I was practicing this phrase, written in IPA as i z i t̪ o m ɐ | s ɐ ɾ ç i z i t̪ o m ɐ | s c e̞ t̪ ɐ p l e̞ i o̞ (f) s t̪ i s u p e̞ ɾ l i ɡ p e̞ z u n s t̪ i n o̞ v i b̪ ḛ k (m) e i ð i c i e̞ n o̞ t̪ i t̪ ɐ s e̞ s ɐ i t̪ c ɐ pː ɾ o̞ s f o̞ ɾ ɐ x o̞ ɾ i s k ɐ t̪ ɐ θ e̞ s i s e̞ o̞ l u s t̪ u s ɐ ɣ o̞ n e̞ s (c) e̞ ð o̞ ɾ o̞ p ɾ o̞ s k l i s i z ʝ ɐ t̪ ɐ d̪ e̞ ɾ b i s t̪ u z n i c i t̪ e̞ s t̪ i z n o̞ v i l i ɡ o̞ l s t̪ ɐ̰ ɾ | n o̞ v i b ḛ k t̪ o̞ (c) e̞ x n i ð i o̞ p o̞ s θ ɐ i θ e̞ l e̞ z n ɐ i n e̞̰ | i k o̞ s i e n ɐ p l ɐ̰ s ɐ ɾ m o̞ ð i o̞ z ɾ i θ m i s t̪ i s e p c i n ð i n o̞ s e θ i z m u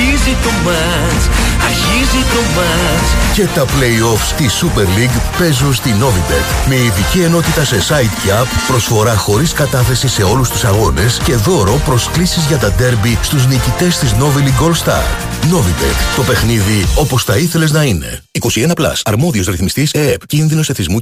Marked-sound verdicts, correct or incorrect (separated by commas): correct, correct, correct, incorrect